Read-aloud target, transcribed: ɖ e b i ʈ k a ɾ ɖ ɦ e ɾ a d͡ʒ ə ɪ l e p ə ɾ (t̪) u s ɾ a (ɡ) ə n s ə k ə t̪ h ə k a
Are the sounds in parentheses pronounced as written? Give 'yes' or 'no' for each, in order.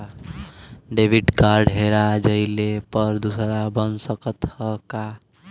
no, no

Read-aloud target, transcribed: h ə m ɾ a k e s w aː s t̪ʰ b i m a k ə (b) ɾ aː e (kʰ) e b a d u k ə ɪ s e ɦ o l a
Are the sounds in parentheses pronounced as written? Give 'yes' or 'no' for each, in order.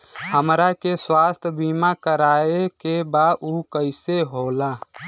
no, no

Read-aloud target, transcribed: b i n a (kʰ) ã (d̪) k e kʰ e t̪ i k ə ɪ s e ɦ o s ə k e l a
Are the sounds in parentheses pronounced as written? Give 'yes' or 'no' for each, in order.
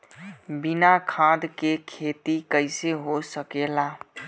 yes, yes

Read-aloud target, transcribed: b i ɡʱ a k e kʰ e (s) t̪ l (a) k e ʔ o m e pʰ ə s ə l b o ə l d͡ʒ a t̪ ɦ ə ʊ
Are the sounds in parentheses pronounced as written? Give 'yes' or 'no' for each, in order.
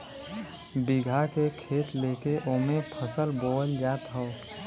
no, no

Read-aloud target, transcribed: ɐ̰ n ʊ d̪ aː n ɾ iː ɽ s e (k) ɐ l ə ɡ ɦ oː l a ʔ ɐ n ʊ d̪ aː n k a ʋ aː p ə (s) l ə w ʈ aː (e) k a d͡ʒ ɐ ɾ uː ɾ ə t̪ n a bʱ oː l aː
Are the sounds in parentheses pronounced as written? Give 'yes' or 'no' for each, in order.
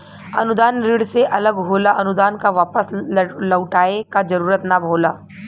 no, yes, yes

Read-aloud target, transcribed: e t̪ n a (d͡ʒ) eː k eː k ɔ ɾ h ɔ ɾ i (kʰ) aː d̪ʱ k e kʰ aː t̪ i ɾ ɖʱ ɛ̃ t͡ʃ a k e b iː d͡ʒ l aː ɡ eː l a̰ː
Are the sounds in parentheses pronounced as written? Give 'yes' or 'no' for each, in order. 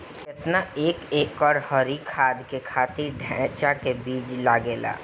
no, yes

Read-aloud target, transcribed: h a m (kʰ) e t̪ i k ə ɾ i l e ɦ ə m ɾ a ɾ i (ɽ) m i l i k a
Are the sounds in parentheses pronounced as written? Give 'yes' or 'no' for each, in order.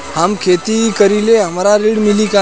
yes, yes

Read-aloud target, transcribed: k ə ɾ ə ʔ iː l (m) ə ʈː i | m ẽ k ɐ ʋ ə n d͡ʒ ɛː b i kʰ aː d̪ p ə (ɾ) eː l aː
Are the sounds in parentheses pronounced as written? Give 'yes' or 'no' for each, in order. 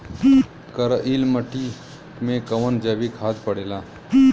yes, no

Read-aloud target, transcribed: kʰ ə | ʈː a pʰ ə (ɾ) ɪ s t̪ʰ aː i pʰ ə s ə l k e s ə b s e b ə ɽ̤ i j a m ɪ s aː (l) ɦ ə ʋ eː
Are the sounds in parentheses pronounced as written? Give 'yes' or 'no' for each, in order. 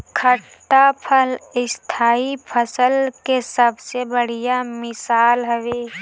no, yes

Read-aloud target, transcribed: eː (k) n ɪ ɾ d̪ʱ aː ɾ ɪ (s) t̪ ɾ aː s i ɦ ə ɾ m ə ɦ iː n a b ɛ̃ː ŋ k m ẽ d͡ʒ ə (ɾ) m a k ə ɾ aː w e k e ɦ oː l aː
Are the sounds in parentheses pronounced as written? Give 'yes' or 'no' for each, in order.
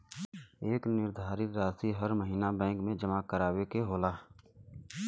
yes, no, no

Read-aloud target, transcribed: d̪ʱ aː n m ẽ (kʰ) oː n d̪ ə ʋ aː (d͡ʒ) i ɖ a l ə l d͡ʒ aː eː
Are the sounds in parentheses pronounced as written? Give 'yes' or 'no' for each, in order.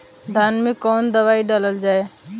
no, no

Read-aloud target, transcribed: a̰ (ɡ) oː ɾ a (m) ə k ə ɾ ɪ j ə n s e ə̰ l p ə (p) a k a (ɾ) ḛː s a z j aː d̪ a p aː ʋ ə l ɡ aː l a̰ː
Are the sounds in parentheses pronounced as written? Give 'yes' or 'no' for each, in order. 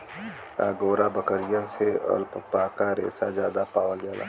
yes, no, yes, yes

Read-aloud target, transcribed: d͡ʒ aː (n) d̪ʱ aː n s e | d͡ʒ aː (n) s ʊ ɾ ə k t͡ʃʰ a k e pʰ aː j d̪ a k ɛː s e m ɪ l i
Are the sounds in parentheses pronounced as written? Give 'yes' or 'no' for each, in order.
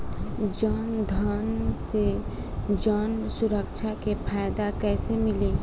yes, yes

